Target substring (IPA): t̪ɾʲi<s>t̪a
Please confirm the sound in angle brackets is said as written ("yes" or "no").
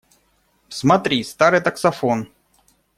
yes